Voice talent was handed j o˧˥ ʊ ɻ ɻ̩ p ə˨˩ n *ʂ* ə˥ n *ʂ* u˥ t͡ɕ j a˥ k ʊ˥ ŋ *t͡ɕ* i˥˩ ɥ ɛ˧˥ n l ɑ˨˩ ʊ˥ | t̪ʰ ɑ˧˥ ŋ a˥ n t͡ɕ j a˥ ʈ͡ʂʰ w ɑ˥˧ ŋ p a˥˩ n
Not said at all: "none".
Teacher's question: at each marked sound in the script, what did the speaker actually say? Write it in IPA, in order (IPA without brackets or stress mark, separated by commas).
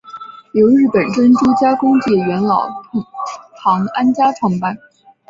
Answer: ʈ͡ʂ, ʈ͡ʂ, t͡ɕ